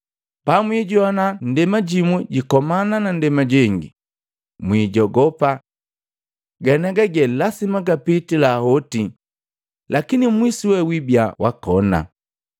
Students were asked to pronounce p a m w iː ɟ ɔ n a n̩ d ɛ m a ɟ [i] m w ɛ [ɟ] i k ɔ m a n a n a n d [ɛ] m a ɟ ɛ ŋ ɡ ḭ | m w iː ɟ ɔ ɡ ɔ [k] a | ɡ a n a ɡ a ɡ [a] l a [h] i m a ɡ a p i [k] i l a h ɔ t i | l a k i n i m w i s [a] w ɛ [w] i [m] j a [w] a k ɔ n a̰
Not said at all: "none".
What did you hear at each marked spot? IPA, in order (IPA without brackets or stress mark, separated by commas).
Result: i, ɟ, ɛ, p, ɛ, s, t, i, w, b, w